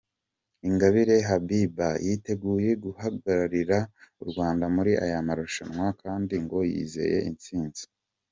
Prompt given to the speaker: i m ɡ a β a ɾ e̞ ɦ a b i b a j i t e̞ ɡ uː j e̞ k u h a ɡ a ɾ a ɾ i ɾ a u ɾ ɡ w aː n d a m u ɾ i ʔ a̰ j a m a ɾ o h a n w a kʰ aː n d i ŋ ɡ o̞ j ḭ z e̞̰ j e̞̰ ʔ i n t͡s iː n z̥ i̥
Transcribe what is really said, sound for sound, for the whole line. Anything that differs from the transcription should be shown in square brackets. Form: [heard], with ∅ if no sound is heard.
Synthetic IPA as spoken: i [ŋ] ɡ a β [i] ɾ e̞ ɦ a b i b a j i t e̞ ɡ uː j e̞ [ɡ] u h a ɡ a ɾ a ɾ i ɾ a u ɾ ɡ w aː n d a m u ɾ i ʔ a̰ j a m a ɾ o [ʃ] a n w a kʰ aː n d i ŋ ɡ o̞ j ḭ z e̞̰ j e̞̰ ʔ i n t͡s iː n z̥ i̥